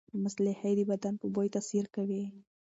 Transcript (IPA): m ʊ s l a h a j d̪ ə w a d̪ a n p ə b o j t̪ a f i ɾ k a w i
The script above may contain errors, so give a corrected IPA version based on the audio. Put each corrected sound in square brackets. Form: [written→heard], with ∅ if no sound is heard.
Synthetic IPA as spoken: m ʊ s l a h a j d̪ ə [w→b] a d̪ a n p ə b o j t̪ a [f→s] i ɾ k a w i